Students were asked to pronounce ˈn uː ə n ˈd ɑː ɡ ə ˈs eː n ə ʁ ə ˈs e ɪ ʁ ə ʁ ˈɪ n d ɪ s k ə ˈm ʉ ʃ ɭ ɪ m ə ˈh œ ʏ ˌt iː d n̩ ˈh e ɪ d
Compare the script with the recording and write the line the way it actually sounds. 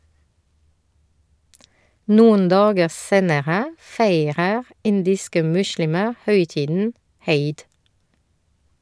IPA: ˈn uː ə n ˈd ɑː ɡ ə ˈs eː n ə ʁ ə ˈf e ɪ ʁ ə ʁ ˈɪ n d ɪ s k ə ˈm ʉ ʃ ɭ ɪ m ə ˈh œ ʏ ˌt iː d n̩ ˈh e ɪ d